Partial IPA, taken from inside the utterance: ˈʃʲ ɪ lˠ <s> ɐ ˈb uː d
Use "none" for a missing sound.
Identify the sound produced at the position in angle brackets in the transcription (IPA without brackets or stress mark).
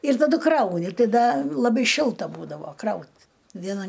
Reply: t